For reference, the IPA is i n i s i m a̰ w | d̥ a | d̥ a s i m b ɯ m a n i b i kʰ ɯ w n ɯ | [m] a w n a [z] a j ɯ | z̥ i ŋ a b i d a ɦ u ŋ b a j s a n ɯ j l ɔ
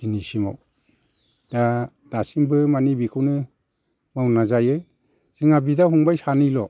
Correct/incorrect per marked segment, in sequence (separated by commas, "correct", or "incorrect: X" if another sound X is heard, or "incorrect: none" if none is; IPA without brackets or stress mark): correct, correct